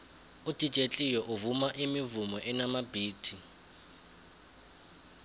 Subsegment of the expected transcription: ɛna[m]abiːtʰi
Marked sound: correct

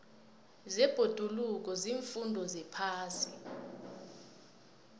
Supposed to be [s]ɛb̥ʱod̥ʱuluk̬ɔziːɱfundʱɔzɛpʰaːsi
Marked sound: incorrect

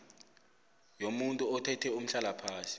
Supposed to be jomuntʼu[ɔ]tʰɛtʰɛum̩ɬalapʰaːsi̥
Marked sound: correct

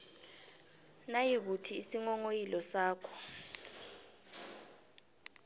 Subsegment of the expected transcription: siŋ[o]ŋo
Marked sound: incorrect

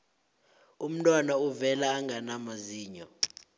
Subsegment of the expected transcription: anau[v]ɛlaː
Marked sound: correct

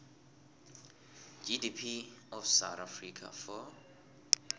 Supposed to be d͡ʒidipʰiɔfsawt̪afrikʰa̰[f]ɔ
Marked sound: correct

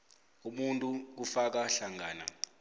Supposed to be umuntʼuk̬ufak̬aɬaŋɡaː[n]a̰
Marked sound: correct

